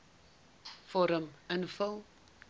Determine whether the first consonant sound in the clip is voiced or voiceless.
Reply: voiceless